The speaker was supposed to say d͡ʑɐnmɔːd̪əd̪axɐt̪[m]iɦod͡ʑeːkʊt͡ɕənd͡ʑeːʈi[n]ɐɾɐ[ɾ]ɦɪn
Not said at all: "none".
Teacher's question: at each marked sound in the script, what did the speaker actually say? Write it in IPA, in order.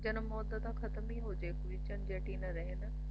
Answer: m, n, none

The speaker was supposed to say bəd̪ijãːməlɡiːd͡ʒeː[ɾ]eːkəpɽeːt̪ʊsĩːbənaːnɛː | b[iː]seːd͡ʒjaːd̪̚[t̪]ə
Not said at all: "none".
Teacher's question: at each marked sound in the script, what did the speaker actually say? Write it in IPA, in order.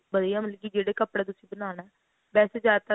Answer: ɽ, ɛː, t̪

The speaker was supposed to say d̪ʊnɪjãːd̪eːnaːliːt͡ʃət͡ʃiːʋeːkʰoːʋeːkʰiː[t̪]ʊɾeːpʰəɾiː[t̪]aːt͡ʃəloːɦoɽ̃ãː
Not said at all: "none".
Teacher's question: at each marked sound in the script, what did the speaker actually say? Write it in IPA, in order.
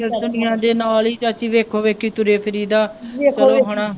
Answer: t̪, d̪

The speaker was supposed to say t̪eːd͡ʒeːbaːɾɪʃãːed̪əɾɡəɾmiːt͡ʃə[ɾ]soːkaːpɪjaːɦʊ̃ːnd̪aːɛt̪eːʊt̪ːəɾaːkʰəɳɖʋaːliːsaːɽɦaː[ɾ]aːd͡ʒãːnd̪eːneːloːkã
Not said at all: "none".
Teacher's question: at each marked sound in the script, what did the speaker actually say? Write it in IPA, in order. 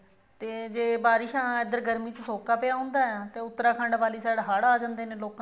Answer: none, ɽ

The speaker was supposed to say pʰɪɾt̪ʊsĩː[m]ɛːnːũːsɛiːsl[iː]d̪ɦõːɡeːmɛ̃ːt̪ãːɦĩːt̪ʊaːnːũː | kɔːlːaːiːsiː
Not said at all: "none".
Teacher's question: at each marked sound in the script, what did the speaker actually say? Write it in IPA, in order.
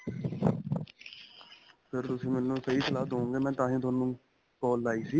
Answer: m, aː

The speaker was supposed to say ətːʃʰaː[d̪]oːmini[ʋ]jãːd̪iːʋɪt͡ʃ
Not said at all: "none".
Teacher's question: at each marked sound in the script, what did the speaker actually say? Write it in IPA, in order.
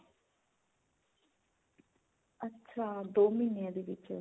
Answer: d̪, none

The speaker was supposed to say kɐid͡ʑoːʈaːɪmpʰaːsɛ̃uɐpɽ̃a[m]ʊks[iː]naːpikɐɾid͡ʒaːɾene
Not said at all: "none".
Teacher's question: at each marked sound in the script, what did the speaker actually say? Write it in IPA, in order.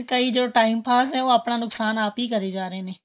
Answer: n, aː

